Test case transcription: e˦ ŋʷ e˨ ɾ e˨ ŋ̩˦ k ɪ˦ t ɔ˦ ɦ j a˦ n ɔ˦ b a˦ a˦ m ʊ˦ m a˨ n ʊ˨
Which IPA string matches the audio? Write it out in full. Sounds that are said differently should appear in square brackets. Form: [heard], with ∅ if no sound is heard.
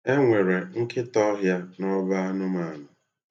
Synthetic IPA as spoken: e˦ ŋʷ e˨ ɾ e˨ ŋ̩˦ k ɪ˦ t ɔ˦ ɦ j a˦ n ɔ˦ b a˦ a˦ [n] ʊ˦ m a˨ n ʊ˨